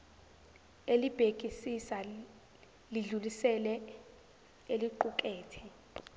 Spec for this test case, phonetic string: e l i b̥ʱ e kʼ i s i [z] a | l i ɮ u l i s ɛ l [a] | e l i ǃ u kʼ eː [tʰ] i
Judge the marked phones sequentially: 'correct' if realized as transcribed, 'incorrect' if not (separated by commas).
incorrect, incorrect, correct